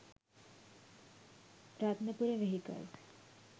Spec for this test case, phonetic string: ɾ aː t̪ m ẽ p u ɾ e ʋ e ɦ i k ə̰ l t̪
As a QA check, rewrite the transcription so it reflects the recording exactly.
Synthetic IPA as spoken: ɾ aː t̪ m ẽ p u ɾ e ʋ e ɦ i k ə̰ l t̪